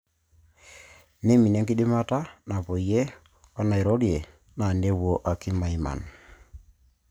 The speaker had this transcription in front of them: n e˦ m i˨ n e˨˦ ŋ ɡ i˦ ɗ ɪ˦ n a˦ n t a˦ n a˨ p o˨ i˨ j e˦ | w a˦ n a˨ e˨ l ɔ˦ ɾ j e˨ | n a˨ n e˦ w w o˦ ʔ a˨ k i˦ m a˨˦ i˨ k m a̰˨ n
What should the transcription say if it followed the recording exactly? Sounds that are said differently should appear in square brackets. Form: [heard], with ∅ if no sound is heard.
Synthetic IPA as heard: n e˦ m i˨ n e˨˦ ŋ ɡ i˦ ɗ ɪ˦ [m] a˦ [∅] t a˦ n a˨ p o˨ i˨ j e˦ | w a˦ n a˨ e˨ [ɾ] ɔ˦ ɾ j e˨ | n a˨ n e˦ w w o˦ ʔ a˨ k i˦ m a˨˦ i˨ [∅] m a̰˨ n